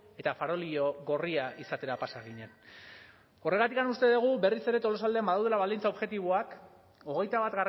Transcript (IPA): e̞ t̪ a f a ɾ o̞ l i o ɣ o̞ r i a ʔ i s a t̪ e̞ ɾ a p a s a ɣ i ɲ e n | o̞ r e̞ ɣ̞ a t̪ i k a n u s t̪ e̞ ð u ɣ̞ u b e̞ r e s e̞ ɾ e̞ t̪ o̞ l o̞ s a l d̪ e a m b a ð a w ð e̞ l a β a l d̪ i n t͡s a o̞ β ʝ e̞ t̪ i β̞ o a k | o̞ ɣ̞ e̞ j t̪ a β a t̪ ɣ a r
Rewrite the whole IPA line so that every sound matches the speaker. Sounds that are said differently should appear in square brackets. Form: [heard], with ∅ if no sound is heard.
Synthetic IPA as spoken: e̞ t̪ a f a ɾ o̞ l i o ɣ o̞ r i a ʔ i s a t̪ e̞ ɾ a p a s a ɣ i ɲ e n | o̞ r e̞ ɣ̞ a t̪ i k a n u s t̪ e̞ ð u ɣ̞ u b e̞ r [i] s e̞ ɾ e̞ t̪ o̞ l o̞ s a l d̪ e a m b a ð a w ð e̞ l a β a l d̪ i n t͡s a o̞ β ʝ e̞ t̪ i β̞ o a k | o̞ ɣ̞ e̞ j t̪ a β a t̪ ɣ a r

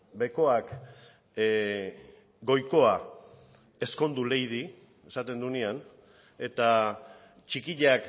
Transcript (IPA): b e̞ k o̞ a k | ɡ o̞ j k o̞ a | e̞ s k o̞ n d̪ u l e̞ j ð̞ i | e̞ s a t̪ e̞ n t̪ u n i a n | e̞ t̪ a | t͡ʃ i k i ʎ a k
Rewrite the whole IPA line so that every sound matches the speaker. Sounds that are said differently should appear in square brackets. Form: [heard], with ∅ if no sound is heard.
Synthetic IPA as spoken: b e̞ k o̞ a k | ɡ o̞ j k o̞ a | e̞ s k o̞ n d̪ u l e̞ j ð̞ i | e̞ s a t̪ e̞ n [d̪] u n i a n | e̞ t̪ a | t͡ʃ i k i ʎ a k

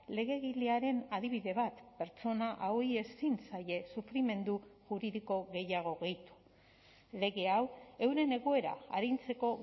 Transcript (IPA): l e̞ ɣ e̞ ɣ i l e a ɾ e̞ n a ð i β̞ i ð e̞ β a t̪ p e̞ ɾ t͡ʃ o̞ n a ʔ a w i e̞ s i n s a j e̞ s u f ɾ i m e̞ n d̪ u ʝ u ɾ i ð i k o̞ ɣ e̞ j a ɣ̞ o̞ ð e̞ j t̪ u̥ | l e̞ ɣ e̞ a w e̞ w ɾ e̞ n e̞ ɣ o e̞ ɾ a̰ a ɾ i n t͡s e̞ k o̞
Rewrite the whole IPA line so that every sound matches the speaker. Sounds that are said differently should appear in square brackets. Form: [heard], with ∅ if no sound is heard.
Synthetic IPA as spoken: l e̞ ɣ e̞ ɣ i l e a ɾ e̞ n a ð i β̞ i ð e̞ β a t̪ p e̞ ɾ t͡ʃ o̞ n a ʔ a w i e̞ s i n s a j e̞ s u f ɾ i m e̞ n d̪ u ʝ u ɾ i ð i k o̞ ɣ e̞ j a ɣ̞ o̞ [ɣ] e̞ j t̪ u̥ | l e̞ ɣ e̞ a w e̞ w ɾ e̞ n e̞ ɣ o e̞ ɾ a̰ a ɾ i n t͡s e̞ k o̞

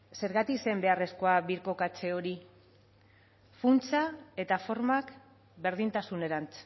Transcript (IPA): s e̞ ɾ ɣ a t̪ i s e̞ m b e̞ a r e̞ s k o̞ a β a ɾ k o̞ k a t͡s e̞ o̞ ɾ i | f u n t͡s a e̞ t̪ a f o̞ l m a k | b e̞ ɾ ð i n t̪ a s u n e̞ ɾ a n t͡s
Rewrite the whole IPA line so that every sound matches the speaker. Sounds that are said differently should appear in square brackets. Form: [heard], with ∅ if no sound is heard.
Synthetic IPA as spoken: s e̞ ɾ ɣ a t̪ i s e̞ m b e̞ a r e̞ s k o̞ a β [i] ɾ k o̞ k a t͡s e̞ o̞ ɾ i | f u n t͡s a e̞ t̪ a f o̞ [ɾ] m a k | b e̞ ɾ ð i n t̪ a s u n e̞ ɾ a n t͡s

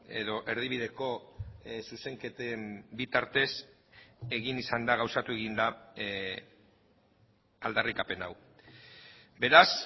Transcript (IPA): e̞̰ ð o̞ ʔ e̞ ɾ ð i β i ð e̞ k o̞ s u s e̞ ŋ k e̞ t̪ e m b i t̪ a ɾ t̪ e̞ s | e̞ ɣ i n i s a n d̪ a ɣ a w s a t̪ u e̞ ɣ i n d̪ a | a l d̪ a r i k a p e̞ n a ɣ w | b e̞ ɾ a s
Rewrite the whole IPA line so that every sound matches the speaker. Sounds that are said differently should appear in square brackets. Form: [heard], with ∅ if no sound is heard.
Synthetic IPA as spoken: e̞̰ ð o̞ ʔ e̞ ɾ ð i β i ð e̞ k o̞ s u s e̞ ŋ k e̞ t̪ e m b i t̪ a ɾ t̪ e̞ s | e̞ ɣ i n i s a n d̪ a ɣ a w s a t̪ u e̞ ɣ i n d̪ a | a l d̪ a r i k a p e̞ n a [∅] w | b e̞ ɾ a s

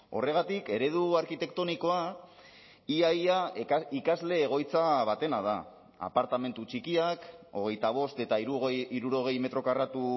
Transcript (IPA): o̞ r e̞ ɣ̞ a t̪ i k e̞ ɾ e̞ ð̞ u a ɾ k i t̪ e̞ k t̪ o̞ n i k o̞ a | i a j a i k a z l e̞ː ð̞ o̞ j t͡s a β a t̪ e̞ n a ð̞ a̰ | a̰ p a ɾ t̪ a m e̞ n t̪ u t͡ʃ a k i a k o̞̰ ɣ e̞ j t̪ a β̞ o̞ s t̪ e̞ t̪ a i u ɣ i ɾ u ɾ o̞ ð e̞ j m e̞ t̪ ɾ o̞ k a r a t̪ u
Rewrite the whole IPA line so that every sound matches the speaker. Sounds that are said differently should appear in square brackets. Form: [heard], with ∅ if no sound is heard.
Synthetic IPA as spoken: o̞ r e̞ ɣ̞ a t̪ i k e̞ ɾ e̞ ð̞ u a ɾ k i t̪ e̞ k t̪ o̞ n i k o̞ a | i a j a i k a z l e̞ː [ɣ̞] o̞ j t͡s a β a t̪ e̞ n a ð̞ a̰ | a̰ p a ɾ t̪ a m e̞ n t̪ u t͡ʃ [i] k i a k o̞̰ ɣ e̞ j t̪ a β̞ o̞ s t̪ e̞ t̪ a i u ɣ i ɾ u ɾ o̞ [ɣ] e̞ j m e̞ t̪ ɾ o̞ k a r a t̪ u

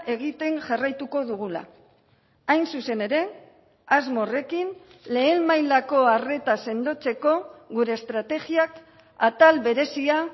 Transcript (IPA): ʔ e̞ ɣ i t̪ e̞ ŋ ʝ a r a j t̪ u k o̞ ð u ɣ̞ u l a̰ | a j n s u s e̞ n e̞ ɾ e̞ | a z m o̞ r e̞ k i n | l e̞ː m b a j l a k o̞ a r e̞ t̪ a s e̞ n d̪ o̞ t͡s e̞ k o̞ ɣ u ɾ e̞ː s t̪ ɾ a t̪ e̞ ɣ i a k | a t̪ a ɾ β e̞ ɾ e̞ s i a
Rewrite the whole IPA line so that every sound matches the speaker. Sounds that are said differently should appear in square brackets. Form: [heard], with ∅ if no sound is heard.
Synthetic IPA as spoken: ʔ e̞ ɣ i t̪ e̞ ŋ ʝ a r a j t̪ u k o̞ ð u ɣ̞ u l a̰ | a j n s u s e̞ n e̞ ɾ e̞ | a z m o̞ r e̞ k i n | l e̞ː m [m] a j l a k o̞ a r e̞ t̪ a s e̞ n d̪ o̞ t͡s e̞ k o̞ ɣ u ɾ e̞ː s t̪ ɾ a t̪ e̞ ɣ i a k | a t̪ a [l] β e̞ ɾ e̞ s i a

